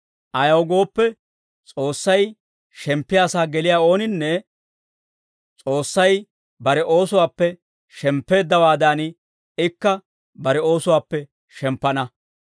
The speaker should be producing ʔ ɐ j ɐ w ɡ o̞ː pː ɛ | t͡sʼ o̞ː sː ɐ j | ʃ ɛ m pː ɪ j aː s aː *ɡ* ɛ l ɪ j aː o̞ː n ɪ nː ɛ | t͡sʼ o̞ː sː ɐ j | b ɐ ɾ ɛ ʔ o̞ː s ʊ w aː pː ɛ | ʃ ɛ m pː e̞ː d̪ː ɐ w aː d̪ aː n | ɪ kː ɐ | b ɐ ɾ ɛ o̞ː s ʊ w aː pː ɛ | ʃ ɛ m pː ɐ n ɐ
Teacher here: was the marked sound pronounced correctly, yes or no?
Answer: yes